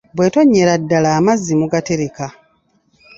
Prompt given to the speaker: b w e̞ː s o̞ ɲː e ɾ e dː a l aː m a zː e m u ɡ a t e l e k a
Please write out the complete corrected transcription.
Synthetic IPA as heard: b w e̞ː t o̞ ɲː e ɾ a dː a l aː m a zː i m u ɡ a t e ɾ e k a